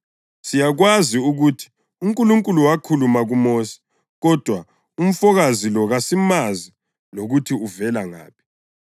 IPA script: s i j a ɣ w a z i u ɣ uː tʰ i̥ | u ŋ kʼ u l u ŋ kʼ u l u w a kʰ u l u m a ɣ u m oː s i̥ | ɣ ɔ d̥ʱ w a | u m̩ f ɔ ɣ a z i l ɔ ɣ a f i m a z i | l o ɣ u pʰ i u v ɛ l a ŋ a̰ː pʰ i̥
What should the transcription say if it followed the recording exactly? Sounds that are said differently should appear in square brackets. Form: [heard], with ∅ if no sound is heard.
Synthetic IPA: s i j a ɣ w a z i u ɣ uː tʰ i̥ | u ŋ kʼ u l u ŋ kʼ u l u w a kʰ u l u m a ɣ u m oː s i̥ | ɣ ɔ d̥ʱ w a | u m̩ f ɔ ɣ a z i l ɔ ɣ a [s] i m a z i | l o ɣ u [tʰ] i u v ɛ l a ŋ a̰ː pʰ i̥